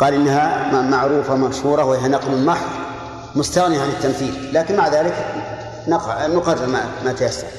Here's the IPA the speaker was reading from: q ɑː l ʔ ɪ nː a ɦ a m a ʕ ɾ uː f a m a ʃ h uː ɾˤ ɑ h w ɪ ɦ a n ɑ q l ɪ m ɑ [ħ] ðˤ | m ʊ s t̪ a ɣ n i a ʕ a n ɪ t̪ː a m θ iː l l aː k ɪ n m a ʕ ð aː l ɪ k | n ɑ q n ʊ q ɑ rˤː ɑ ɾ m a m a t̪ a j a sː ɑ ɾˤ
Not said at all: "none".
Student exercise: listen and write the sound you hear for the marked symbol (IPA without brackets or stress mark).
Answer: ħ